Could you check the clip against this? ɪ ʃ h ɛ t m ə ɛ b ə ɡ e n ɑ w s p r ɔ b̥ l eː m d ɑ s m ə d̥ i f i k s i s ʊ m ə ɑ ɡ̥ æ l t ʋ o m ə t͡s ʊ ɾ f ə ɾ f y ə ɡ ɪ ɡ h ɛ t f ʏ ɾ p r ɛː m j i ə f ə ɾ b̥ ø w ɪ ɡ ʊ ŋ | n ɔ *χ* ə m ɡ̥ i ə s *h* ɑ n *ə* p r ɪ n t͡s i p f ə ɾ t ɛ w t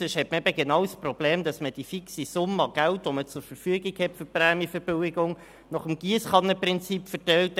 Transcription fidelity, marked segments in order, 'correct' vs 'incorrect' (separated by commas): correct, incorrect, correct